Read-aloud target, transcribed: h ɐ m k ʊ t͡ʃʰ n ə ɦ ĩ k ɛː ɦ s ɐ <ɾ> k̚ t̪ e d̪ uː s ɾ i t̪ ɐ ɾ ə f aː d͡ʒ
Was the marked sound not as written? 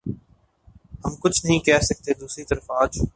yes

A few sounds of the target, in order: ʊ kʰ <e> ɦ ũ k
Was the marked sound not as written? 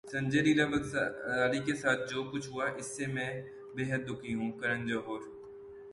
yes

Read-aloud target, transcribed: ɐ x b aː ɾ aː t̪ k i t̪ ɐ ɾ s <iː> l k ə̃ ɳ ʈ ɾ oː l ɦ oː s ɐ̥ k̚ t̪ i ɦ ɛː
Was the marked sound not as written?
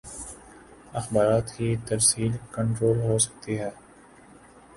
no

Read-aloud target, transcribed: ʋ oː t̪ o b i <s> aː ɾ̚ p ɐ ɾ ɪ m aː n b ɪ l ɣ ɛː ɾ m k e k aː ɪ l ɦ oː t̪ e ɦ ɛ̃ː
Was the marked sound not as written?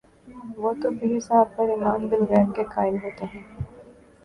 no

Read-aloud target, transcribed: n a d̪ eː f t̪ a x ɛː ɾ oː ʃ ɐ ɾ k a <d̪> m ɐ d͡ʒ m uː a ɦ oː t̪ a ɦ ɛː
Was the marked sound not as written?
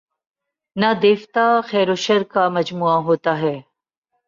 yes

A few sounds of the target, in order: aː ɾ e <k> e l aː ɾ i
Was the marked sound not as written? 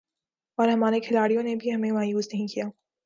yes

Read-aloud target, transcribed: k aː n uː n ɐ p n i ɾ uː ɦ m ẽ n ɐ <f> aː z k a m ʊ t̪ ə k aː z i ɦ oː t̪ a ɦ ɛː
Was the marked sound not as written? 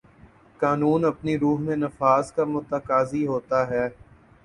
no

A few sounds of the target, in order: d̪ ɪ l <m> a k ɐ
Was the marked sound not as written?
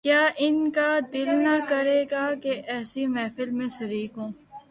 yes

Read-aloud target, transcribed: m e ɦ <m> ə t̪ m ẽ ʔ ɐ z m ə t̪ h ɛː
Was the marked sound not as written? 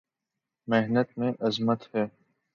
yes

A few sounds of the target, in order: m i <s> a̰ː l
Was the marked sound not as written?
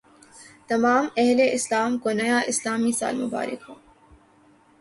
no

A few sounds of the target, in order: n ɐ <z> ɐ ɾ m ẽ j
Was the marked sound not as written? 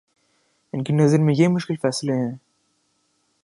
no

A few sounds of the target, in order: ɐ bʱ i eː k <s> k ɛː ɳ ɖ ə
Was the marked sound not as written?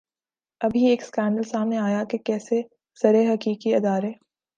no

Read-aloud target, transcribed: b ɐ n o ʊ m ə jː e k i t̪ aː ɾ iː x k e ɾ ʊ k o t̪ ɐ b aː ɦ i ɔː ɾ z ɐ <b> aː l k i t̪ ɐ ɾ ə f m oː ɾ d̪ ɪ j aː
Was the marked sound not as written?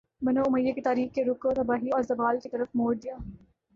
no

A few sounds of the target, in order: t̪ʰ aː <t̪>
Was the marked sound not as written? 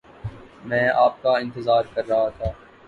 yes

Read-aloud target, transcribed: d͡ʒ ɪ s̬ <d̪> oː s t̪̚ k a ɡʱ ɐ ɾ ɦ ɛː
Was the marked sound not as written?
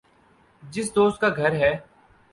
no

